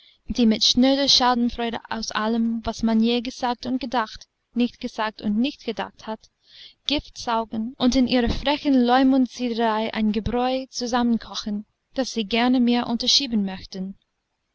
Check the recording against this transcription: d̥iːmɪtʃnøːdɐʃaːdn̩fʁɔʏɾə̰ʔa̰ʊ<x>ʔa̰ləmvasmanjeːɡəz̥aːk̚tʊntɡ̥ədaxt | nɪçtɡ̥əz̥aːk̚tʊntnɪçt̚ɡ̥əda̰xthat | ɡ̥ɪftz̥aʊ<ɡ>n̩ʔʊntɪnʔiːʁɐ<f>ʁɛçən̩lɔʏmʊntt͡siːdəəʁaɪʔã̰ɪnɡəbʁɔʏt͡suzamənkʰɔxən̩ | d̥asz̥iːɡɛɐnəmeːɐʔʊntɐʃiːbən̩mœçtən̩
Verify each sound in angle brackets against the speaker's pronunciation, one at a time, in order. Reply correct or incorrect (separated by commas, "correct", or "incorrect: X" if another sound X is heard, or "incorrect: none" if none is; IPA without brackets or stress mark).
incorrect: s, correct, correct